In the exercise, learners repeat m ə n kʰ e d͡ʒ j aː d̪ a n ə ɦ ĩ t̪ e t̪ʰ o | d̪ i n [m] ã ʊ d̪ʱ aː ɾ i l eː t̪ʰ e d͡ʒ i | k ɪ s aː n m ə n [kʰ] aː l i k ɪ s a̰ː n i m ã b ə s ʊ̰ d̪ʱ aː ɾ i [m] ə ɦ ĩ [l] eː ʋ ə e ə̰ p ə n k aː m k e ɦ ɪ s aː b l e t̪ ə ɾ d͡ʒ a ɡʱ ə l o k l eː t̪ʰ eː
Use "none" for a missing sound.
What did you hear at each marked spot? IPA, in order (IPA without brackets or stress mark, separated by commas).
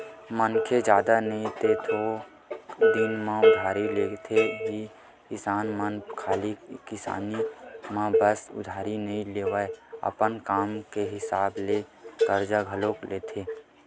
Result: m, kʰ, n, l